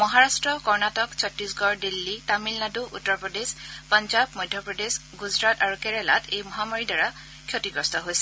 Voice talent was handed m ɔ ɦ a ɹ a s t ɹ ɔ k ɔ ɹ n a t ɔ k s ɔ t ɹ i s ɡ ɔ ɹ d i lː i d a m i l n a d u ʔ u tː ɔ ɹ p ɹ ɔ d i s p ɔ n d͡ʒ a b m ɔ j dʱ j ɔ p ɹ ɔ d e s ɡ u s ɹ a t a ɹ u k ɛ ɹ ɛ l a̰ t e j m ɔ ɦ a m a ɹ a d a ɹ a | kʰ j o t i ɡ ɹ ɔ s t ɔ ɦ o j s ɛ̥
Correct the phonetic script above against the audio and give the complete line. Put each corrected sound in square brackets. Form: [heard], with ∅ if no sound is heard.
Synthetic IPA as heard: m ɔ ɦ a ɹ a s t ɹ ɔ k ɔ ɹ n a t ɔ k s ɔ t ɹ i s ɡ ɔ ɹ d i lː i [t] a m i l n a d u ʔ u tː ɔ ɹ p ɹ ɔ d [e] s p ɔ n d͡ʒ a b m ɔ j dʱ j ɔ p ɹ ɔ d e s ɡ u [z] ɹ a t a ɹ u k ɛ ɹ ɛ l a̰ t e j m ɔ ɦ a m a ɹ [i] d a ɹ a | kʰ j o t i ɡ ɹ ɔ s t ɔ ɦ o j s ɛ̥